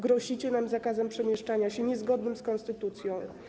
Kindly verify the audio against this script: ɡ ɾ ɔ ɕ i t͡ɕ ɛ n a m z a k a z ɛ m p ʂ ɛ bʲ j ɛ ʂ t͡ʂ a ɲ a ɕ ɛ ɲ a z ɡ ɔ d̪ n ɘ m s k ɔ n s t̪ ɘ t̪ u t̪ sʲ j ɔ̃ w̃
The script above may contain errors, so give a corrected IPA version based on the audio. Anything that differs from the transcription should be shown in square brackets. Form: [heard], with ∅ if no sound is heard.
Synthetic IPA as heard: ɡ ɾ ɔ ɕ i t͡ɕ ɛ n a m z a k a z ɛ m p ʂ ɛ [mʲ] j ɛ ʂ t͡ʂ a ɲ a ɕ ɛ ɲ [ɛ] z ɡ ɔ d̪ n ɘ m s k ɔ n s t̪ ɘ t̪ u t̪ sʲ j ɔ̃ w̃